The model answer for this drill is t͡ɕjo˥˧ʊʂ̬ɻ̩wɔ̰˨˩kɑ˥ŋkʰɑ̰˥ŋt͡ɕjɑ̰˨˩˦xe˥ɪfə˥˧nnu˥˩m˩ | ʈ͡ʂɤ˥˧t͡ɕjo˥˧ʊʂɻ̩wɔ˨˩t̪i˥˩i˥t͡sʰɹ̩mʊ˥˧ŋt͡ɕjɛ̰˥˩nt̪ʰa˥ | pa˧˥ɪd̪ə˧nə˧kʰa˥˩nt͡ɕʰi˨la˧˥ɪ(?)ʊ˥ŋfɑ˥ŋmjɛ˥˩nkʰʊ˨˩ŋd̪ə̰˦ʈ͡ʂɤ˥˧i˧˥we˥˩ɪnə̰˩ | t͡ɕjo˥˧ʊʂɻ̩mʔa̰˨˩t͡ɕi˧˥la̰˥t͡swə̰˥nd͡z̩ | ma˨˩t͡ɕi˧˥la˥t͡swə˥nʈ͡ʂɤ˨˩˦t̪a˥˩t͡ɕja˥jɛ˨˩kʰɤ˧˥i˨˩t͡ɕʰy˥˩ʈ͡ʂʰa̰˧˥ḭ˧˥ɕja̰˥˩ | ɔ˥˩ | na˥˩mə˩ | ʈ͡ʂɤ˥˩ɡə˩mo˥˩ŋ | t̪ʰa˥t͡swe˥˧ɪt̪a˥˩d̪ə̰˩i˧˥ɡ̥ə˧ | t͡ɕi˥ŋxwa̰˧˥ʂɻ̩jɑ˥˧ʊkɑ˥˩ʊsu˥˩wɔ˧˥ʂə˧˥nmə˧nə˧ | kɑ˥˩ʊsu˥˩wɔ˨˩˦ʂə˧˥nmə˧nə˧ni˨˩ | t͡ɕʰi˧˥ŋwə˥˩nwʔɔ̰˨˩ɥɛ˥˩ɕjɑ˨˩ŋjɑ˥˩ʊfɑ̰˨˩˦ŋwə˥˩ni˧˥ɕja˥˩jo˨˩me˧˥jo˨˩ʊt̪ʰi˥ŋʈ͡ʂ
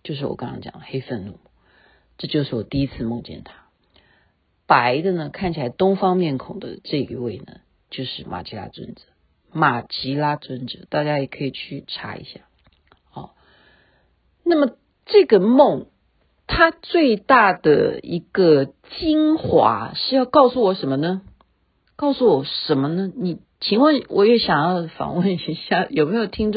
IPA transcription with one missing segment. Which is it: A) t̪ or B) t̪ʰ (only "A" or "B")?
A